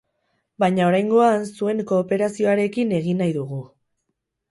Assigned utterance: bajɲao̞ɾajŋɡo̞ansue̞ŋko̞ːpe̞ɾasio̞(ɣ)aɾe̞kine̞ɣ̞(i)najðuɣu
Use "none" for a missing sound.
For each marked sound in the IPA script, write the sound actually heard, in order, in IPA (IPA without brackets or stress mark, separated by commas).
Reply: none, i